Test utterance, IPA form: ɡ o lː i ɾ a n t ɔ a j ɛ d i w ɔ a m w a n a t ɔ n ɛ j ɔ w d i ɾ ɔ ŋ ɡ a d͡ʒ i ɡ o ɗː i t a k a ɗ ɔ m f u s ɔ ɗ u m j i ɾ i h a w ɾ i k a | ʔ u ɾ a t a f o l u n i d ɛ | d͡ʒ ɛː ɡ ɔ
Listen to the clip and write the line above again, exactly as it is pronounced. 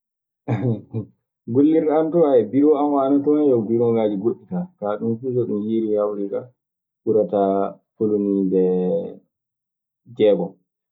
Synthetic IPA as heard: ɡ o lː i ɾ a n t ɔ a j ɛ b i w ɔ a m w a n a t ɔ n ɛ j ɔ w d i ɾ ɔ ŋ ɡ a d͡ʒ i ɡ o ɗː i t a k a ɗ u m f u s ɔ ɗ u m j i ɾ i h a w ɾ i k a | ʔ u ɾ a t a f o l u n i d ɛ | d͡ʒ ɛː ɡ ɔ